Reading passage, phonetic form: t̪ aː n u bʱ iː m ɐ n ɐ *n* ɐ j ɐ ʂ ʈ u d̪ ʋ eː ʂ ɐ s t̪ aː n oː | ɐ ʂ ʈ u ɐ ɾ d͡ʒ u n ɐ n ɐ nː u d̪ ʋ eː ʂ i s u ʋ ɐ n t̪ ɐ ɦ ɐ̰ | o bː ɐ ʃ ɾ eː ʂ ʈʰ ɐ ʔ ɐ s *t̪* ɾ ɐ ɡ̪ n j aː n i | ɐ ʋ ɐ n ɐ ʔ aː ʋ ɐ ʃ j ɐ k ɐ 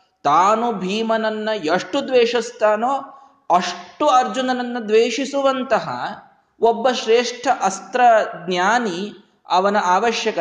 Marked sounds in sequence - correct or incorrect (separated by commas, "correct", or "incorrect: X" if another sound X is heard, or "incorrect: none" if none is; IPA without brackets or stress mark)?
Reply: incorrect: nː, correct